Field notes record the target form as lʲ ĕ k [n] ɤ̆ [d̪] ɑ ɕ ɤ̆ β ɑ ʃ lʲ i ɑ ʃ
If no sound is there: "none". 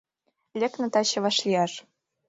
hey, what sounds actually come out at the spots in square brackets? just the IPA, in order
n, t̪

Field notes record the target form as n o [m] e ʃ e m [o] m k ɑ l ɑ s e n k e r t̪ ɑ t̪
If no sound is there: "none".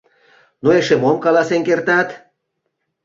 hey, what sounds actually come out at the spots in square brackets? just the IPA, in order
none, o

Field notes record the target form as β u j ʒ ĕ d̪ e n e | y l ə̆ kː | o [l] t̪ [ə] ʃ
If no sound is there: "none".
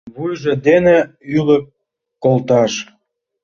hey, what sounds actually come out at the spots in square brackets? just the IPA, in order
l, ɑ

